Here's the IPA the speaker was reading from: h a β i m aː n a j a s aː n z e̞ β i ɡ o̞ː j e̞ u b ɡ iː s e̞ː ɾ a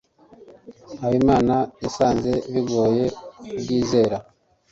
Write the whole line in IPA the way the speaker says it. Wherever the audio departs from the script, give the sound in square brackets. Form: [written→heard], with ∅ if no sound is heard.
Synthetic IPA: h a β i m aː n a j a s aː n z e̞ β i ɡ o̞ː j e̞ u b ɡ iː [s→z] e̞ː ɾ a